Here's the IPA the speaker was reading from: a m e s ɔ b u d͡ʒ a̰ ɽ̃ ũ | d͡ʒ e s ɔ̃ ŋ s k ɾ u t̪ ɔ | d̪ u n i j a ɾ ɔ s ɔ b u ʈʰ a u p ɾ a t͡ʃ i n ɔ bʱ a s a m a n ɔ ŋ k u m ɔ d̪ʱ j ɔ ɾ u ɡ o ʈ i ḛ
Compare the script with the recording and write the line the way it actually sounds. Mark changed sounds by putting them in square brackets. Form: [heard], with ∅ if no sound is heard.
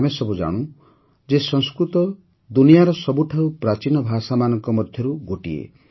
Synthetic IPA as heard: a m e s ɔ b u d͡ʒ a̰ ɽ̃ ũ | d͡ʒ e s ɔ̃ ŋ s k ɾ u t̪ ɔ | d̪ u n i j a ɾ ɔ s ɔ b u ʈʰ a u p ɾ a t͡ʃ i n ɔ bʱ a s a m a n ɔ ŋ k [ɔ] m ɔ d̪ʱ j ɔ ɾ u ɡ o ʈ i ḛ